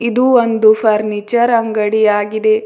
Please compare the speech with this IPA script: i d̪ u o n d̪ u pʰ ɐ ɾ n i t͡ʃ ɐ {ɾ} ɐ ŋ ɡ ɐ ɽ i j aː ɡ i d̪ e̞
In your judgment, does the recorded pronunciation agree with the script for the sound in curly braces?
yes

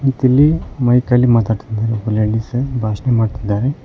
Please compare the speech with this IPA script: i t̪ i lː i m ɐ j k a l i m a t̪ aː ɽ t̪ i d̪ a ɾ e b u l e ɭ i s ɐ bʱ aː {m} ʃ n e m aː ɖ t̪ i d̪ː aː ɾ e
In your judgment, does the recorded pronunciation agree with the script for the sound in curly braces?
no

